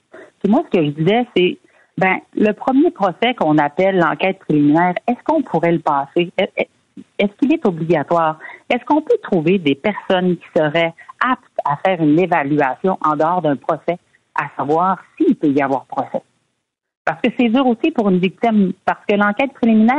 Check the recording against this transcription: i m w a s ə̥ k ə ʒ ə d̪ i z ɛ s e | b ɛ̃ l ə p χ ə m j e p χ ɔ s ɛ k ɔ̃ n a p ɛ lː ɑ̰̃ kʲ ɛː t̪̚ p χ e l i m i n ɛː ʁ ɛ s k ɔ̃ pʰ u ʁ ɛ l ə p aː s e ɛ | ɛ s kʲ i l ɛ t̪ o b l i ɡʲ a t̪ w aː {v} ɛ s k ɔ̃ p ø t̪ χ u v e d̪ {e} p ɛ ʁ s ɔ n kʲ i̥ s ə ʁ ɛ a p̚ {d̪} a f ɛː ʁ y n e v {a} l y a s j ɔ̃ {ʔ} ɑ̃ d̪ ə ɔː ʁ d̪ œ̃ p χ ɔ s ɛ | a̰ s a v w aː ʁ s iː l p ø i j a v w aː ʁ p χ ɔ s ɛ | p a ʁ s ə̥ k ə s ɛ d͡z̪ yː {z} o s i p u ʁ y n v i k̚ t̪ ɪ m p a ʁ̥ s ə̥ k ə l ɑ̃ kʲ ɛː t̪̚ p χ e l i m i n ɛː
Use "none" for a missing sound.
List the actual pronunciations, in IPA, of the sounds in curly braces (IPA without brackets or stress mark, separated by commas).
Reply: ʁ, e, t̪, a, ʔ, ʁ